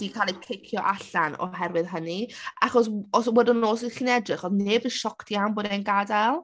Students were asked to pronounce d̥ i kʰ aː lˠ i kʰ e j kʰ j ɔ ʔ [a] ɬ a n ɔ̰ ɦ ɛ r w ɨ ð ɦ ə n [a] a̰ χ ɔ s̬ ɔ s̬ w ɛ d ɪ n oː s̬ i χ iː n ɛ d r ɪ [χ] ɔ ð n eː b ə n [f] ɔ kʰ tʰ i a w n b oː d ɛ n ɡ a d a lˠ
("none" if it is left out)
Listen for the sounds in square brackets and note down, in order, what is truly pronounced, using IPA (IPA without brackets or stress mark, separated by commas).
a, i, χ, ʃ